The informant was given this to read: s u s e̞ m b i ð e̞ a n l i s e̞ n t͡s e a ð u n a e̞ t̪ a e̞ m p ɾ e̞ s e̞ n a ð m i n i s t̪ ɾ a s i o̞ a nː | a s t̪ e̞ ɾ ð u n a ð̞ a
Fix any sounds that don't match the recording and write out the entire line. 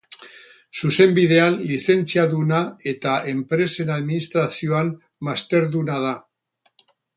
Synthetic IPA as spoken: s u s e̞ m b i ð e̞ a n l i s e̞ n t͡s i a ð u n a e̞ t̪ a e̞ m p ɾ e̞ s e̞ n a ð m i n i s t̪ ɾ a s i o̞ a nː | a s t̪ e̞ ɾ ð u n a ð̞ a